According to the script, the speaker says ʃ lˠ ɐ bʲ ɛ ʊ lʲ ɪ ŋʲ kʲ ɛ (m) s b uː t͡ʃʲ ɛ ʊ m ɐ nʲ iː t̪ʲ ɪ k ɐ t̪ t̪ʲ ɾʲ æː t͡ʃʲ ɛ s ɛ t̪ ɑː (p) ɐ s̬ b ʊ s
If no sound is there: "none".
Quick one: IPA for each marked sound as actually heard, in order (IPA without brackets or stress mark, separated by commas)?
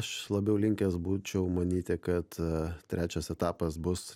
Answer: none, p